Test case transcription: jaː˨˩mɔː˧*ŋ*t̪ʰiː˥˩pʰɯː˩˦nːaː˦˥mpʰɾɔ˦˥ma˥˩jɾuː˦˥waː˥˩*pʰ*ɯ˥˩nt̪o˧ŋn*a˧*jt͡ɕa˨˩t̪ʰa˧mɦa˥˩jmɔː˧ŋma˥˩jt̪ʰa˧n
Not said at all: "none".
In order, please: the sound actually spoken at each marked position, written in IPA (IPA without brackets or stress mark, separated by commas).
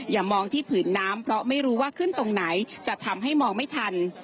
ŋ, kʰ, a˩˦